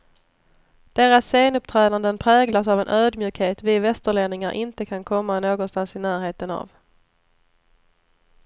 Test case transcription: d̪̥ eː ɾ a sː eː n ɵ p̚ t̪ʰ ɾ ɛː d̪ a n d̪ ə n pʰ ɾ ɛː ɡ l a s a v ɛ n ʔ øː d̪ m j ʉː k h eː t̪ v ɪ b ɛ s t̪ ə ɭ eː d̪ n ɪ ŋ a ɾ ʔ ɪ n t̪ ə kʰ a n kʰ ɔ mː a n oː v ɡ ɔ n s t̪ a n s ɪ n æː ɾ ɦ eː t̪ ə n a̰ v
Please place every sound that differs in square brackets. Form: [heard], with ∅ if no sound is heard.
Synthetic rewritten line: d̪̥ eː ɾ a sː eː n ɵ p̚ t̪ʰ ɾ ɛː d̪ a n d̪ ə n pʰ ɾ ɛː ɡ l a s a v ɛ n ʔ øː d̪ m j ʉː k h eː t̪ v ɪ [v] ɛ s t̪ ə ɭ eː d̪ n ɪ ŋ a ɾ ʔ ɪ n t̪ ə kʰ a n kʰ ɔ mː a n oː [∅] ɡ ɔ n s t̪ a n s ɪ n æː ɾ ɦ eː t̪ ə n a̰ v